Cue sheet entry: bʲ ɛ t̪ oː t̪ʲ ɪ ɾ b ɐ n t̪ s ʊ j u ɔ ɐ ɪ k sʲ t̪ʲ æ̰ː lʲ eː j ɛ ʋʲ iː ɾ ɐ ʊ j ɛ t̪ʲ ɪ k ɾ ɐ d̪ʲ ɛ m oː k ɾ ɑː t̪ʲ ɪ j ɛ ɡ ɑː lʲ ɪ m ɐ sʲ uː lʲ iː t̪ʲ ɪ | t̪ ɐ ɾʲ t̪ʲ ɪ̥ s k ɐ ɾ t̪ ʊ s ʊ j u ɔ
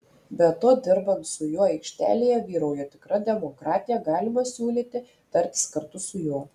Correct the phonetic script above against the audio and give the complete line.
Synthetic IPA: bʲ ɛ t̪ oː d̪ʲ ɪ ɾ b ɐ n t̪ s ʊ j u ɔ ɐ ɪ k ʃʲ t̪ʲ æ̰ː lʲ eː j ɛ ʋʲ iː ɾ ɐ ʊ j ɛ t̪ʲ ɪ k ɾ ɐ d̪ʲ ɛ m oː k ɾ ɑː t̪ʲ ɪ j ɛ ɡ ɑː lʲ ɪ m ɐ sʲ uː lʲ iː t̪ʲ ɪ | t̪ ɐ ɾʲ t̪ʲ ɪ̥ s k ɐ ɾ t̪ ʊ s ʊ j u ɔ